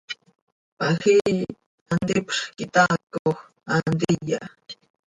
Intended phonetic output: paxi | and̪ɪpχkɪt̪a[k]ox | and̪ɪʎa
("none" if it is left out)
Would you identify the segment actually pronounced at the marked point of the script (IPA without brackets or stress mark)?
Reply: k